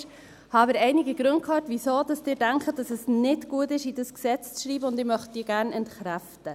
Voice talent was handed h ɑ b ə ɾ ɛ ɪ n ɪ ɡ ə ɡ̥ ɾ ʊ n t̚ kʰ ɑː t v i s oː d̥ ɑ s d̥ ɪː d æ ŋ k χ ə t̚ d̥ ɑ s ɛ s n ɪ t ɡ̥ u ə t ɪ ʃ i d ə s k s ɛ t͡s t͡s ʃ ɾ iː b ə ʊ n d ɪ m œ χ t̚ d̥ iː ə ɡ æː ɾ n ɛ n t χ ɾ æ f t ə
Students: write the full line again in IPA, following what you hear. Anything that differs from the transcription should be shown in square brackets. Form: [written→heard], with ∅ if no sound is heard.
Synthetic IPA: h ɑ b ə ɾ ɛ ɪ n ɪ ɡ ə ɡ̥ ɾ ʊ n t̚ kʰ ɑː t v i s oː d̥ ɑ s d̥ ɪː d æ ŋ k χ ə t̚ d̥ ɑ s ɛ s n ɪ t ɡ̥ u ə t ɪ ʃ i d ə s k s ɛ t͡s t͡s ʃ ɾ iː b ə ʊ n d ɪ m œ χ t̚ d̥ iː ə ɡ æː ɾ n ɛ n t χ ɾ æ f t ə